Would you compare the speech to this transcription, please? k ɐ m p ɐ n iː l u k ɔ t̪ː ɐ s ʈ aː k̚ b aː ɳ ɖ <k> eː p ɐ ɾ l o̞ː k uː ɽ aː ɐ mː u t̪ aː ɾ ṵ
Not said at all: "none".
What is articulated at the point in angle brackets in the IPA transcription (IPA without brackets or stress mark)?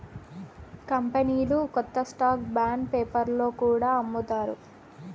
p